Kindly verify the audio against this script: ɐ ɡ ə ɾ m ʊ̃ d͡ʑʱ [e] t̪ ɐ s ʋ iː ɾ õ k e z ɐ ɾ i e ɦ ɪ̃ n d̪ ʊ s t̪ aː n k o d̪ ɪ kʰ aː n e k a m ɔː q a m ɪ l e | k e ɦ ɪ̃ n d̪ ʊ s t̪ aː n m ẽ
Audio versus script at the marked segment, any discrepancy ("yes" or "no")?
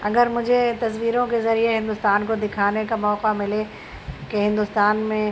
no